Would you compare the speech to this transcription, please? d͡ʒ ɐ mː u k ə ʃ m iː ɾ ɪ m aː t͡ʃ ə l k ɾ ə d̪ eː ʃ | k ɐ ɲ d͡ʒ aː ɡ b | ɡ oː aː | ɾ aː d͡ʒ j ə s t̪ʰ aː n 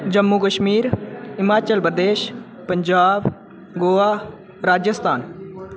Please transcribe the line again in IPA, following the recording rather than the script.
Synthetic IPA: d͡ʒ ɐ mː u k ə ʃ m iː ɾ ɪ m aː t͡ʃ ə l p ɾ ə d̪ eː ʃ | p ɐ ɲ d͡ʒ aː b | ɡ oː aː | ɾ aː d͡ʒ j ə s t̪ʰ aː n